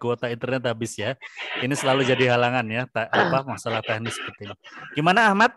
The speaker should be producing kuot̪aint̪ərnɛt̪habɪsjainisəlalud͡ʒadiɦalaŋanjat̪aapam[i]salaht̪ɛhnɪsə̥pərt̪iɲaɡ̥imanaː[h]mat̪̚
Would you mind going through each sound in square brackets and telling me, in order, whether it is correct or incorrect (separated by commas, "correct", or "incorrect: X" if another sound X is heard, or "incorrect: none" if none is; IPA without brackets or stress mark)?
incorrect: a, correct